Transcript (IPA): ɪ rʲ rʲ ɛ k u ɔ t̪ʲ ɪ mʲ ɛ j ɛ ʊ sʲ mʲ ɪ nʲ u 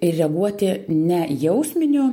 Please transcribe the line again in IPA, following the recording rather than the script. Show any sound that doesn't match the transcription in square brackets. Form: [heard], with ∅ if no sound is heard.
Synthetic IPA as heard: ɪ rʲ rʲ ɛ [ɡ] u ɔ t̪ʲ ɪ [nʲ] ɛ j ɛ ʊ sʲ mʲ ɪ nʲ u